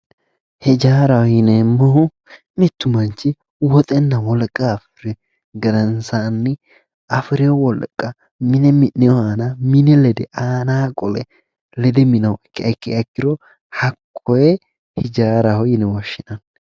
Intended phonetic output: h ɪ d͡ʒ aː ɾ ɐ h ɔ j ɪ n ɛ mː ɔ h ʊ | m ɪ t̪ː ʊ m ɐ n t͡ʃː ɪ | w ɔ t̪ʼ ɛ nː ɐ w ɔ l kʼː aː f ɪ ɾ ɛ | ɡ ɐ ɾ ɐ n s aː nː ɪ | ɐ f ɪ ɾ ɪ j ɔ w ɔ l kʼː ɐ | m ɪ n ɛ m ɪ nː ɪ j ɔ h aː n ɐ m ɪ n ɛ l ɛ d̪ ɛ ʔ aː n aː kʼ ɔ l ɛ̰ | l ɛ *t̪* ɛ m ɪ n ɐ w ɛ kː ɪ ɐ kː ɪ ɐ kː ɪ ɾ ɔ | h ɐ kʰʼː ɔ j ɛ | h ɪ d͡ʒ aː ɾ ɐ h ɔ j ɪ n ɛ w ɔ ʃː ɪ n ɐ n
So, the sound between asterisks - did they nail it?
no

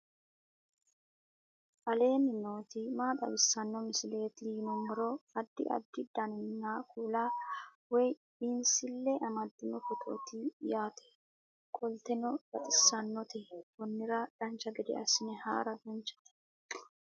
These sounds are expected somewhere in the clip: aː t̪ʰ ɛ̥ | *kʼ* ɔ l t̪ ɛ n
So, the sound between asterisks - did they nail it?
yes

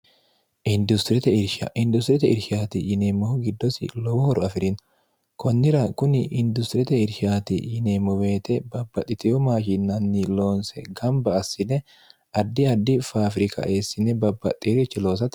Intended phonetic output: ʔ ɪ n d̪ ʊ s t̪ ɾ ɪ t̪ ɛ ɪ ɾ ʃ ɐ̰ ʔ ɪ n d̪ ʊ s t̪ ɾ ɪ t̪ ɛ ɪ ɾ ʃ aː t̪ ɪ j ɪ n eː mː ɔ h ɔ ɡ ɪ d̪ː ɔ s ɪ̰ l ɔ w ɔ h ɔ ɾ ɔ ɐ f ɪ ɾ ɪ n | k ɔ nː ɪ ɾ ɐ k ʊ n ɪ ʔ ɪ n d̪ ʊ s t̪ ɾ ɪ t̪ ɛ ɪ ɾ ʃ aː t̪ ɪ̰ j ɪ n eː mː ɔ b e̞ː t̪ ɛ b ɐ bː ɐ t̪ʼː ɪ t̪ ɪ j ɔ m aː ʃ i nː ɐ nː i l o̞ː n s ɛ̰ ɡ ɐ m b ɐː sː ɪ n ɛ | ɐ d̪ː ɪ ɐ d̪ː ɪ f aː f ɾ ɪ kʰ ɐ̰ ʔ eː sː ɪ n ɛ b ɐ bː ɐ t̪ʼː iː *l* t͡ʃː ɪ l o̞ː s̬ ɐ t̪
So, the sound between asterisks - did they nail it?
no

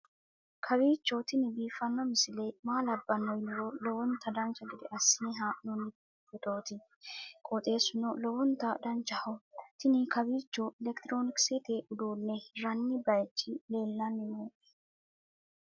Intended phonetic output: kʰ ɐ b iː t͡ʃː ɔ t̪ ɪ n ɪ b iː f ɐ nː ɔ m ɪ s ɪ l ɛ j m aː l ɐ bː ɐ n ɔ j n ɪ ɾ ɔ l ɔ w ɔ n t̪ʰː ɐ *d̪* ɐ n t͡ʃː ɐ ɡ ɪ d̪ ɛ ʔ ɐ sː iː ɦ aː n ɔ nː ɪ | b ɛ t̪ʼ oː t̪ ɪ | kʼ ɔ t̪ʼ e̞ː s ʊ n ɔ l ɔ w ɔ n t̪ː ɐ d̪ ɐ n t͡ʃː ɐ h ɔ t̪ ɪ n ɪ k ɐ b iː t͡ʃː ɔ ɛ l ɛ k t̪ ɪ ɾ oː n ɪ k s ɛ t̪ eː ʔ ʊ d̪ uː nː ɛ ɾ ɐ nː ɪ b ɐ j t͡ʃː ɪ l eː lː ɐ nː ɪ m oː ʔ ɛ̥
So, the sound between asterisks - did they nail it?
yes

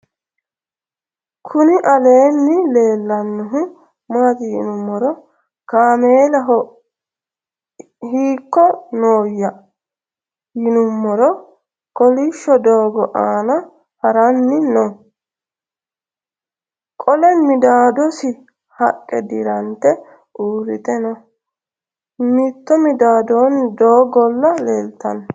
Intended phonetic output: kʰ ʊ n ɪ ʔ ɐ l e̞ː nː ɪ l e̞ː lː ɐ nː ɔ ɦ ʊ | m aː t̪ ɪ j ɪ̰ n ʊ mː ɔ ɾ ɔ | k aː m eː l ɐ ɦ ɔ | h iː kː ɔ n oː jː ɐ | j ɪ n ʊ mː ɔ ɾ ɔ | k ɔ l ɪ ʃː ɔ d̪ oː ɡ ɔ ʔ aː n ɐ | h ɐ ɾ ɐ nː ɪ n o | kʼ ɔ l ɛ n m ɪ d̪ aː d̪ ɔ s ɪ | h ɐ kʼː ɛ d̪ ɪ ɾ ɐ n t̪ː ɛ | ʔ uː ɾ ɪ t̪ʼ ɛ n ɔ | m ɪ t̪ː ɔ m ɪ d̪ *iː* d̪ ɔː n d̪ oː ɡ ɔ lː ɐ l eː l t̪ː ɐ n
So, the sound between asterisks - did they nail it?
no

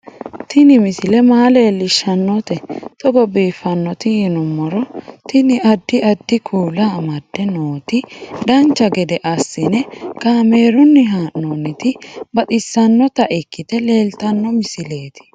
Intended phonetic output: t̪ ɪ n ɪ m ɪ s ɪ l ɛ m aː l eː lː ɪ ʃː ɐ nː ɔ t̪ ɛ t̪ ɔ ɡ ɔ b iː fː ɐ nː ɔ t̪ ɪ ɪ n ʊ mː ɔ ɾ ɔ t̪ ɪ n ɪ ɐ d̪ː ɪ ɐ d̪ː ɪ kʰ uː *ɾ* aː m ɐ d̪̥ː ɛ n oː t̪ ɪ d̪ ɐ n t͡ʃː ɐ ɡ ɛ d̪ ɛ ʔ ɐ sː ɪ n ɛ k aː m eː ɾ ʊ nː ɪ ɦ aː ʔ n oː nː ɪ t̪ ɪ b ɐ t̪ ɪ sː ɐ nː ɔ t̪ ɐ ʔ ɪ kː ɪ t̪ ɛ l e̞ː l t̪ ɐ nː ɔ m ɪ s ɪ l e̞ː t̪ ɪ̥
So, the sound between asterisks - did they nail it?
no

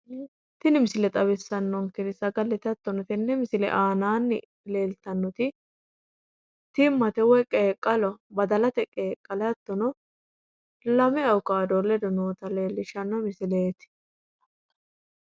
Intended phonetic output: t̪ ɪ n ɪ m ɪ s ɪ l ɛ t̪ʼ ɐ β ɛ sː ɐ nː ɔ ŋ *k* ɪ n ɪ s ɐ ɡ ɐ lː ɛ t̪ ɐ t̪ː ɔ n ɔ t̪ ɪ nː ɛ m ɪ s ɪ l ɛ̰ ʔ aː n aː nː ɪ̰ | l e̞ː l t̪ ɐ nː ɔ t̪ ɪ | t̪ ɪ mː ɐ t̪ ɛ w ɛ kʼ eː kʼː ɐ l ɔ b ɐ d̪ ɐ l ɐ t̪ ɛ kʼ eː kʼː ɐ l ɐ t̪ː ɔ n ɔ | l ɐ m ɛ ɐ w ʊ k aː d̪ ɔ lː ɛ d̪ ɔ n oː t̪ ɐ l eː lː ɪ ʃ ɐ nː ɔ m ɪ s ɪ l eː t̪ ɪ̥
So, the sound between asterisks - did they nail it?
yes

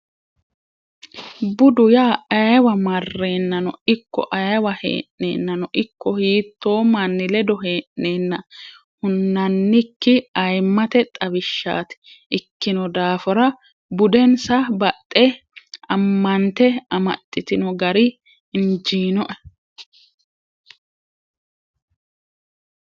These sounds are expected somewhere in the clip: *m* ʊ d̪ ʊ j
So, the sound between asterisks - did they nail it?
no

